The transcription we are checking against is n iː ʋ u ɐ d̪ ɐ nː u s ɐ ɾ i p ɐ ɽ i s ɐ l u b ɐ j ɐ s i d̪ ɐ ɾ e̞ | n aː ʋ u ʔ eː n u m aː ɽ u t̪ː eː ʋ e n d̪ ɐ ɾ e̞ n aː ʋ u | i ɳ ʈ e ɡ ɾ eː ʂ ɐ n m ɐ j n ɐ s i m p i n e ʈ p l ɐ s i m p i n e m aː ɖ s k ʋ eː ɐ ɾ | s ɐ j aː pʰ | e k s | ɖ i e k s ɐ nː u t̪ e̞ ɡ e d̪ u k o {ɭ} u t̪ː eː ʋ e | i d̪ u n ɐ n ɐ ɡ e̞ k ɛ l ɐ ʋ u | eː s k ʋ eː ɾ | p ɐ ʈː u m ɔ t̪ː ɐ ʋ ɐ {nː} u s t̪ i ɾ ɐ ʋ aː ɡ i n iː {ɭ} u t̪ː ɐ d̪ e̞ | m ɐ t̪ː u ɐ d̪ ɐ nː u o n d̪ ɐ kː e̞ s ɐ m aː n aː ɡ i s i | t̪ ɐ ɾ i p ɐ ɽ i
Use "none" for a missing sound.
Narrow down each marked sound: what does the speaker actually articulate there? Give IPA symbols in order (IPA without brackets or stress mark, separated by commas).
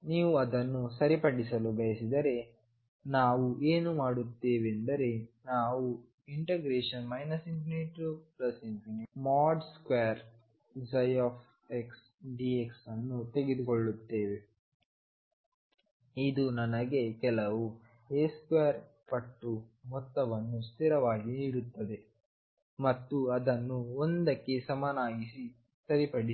ɭː, nː, ɽ